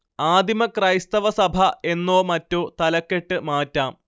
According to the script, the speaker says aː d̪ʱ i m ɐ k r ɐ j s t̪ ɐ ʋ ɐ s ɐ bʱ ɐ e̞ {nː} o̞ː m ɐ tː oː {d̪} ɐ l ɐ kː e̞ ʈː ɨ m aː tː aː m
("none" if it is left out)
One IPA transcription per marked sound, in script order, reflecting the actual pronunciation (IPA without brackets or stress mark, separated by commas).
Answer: nː, t̪